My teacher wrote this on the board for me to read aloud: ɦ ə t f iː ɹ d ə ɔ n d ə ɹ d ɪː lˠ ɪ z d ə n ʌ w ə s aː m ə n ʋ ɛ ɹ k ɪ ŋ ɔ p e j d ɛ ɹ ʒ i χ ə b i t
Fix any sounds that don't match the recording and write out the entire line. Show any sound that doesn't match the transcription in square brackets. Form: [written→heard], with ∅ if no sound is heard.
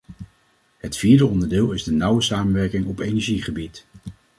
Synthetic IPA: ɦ ə t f iː ɹ d ə ɔ n d ə ɹ d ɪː lˠ ɪ z d ə n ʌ w ə s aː m ə n ʋ ɛ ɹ k ɪ ŋ ɔ p e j [d→n] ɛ ɹ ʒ i χ ə b i t